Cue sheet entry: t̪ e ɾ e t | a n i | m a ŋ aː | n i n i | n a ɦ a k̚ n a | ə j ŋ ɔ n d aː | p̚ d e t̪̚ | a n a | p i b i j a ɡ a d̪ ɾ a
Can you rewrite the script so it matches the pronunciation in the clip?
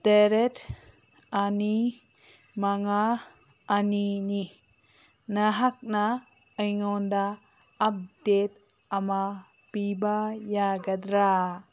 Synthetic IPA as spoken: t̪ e ɾ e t | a n i | m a ŋ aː | n i n i | n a ɦ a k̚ n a | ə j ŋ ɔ n d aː | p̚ d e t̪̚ | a m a | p i b a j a ɡ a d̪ ɾ a